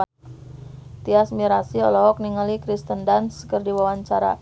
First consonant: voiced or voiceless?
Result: voiceless